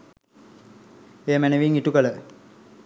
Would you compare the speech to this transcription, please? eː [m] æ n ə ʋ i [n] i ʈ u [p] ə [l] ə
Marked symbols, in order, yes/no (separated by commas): yes, no, no, yes